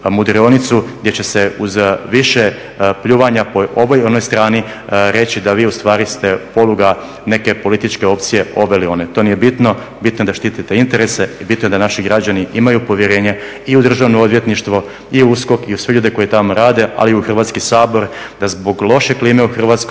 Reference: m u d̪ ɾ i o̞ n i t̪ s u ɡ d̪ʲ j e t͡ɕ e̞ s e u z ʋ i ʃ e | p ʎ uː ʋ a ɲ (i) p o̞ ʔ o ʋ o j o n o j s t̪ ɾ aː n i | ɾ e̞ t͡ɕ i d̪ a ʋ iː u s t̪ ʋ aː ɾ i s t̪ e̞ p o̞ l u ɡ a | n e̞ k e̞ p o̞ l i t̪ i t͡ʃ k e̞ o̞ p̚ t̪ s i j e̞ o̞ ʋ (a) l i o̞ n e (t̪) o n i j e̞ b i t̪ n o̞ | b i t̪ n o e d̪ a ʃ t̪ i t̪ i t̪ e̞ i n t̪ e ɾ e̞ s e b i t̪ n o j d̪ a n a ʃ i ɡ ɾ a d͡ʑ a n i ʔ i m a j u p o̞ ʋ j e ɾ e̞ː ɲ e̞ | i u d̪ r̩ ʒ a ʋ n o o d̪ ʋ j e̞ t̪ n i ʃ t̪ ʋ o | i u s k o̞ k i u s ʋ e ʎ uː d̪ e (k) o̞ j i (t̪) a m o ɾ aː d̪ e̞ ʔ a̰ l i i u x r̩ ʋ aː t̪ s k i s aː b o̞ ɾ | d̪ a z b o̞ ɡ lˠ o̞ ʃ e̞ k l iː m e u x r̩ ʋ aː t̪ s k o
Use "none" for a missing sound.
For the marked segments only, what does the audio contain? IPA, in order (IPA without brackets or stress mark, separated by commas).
a, e, t̪, k, t̪